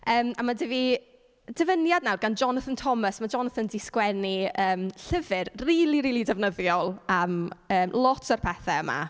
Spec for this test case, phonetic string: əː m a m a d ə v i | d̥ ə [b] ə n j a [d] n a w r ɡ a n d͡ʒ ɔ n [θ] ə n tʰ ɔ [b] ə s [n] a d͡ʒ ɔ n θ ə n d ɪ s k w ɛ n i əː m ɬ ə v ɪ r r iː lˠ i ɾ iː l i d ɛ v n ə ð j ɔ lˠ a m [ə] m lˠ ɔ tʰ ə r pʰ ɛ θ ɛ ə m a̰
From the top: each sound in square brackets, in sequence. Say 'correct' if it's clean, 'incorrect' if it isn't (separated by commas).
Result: incorrect, correct, correct, incorrect, incorrect, incorrect